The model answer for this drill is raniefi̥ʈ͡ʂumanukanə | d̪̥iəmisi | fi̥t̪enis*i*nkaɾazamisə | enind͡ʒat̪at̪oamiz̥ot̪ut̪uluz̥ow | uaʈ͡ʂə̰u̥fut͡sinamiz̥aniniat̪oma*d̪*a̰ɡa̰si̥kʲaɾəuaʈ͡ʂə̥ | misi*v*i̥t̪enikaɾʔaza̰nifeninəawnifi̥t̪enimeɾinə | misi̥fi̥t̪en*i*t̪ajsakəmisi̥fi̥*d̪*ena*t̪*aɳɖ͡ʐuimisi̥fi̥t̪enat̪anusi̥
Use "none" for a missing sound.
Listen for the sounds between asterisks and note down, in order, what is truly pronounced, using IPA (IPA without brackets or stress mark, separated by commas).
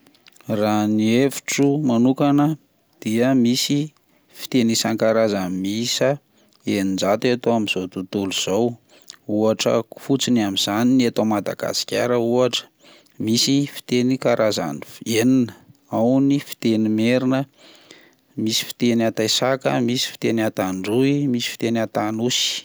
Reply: a, d̪, f, a, t̪, t̪